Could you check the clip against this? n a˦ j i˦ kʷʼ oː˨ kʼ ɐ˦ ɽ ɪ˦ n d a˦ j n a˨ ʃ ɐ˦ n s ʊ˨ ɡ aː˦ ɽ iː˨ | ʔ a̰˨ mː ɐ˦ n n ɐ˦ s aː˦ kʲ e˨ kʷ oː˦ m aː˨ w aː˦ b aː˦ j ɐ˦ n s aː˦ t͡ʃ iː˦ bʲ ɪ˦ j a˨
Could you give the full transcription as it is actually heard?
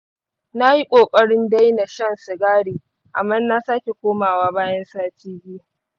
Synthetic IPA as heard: n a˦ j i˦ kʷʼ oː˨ kʼ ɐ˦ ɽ ɪ˦ n d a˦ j n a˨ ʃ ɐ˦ n s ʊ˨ ɡ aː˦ ɽ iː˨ | ʔ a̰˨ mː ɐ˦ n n a˦ s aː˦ kʲ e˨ kʷ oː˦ m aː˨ w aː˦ b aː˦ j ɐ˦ n s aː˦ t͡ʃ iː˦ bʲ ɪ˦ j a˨